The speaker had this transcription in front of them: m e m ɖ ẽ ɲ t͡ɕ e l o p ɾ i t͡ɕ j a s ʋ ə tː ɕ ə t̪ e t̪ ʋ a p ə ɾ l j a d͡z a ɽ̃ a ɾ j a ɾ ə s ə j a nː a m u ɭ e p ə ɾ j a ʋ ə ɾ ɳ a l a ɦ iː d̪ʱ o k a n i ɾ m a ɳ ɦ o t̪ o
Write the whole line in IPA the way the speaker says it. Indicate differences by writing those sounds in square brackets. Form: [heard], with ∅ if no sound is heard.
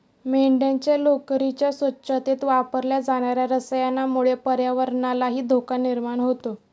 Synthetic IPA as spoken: m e [ɳ] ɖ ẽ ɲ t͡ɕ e l o [k] ɾ i t͡ɕ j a s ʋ ə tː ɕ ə t̪ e t̪ ʋ a p ə ɾ l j a d͡z a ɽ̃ a ɾ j a ɾ ə s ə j a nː a m u ɭ e p ə ɾ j a ʋ ə ɾ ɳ a l a ɦ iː d̪ʱ o k a n i ɾ m a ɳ ɦ o t̪ o